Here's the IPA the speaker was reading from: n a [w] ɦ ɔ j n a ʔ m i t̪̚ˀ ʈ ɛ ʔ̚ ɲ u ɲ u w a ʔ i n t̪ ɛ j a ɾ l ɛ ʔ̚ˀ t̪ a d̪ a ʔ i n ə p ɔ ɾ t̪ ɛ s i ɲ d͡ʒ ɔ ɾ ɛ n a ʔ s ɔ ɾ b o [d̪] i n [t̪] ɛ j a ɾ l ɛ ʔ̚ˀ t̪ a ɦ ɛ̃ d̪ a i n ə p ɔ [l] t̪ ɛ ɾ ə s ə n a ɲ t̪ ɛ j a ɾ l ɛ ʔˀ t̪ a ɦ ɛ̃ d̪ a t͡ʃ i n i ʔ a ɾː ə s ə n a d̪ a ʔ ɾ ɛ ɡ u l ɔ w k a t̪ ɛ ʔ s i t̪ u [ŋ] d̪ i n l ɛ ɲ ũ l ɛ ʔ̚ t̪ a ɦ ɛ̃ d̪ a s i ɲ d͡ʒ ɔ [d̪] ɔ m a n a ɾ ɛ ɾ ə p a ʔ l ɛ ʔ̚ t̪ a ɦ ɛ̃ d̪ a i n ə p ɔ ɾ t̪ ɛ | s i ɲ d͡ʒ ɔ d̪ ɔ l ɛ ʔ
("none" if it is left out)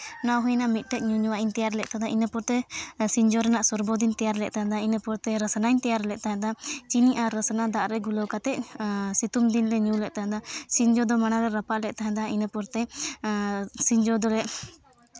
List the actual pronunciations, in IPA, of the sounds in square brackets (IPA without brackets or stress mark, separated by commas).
w, d̪, t̪, ɾ, m, d̪